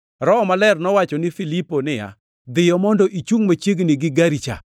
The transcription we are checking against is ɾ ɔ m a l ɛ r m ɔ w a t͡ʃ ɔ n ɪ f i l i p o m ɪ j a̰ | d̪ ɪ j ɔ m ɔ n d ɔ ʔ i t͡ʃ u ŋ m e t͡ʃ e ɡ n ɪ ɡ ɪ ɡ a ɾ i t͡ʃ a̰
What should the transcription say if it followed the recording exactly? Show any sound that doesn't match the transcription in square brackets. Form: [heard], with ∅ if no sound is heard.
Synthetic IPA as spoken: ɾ ɔ m a l ɛ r [n] ɔ w a t͡ʃ ɔ n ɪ f i l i p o [n] ɪ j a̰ | d̪ ɪ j ɔ m ɔ n d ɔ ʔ i t͡ʃ u ŋ m [a] t͡ʃ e ɡ n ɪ ɡ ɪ ɡ a ɾ i t͡ʃ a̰